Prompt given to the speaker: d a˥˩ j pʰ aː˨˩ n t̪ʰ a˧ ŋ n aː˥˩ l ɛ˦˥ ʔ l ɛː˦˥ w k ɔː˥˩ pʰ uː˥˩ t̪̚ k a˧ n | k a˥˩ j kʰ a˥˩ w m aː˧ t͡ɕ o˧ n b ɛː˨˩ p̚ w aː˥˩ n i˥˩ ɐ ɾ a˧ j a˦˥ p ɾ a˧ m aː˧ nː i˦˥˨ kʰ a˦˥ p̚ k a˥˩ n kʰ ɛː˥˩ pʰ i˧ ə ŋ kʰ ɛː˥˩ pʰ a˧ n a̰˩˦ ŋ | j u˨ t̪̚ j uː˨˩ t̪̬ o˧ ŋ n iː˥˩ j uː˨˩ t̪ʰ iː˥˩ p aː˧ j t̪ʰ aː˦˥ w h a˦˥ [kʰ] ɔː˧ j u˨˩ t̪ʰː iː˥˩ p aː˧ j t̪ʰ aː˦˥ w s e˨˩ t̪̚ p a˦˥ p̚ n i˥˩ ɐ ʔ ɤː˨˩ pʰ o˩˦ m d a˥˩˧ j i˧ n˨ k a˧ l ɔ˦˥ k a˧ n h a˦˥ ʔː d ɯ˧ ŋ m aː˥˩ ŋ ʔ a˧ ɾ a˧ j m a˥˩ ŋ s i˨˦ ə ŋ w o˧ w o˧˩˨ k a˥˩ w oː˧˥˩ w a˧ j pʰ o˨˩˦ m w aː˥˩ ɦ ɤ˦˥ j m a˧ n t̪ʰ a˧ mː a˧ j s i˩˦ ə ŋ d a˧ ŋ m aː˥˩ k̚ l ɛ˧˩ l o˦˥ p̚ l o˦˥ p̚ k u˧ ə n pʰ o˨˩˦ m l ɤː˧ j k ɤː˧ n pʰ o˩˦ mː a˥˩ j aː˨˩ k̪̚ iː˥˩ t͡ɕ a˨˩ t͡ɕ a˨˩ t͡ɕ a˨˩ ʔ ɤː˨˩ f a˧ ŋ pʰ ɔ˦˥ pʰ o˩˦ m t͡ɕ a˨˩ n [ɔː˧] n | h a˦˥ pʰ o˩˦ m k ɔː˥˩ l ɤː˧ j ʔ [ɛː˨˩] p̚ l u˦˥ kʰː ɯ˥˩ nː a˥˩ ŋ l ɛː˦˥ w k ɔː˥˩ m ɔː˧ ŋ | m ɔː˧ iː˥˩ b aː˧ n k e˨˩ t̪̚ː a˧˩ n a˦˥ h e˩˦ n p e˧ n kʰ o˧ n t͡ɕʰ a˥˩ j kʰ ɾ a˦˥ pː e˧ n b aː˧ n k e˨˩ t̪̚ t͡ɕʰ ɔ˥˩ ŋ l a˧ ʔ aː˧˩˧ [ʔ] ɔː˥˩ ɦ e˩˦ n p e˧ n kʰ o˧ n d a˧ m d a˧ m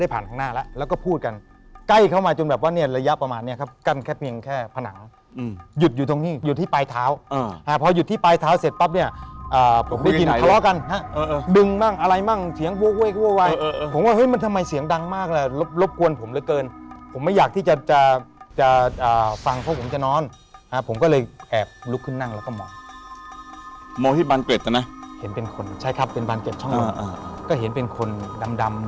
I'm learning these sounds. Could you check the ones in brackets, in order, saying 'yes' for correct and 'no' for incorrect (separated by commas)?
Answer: no, no, yes, no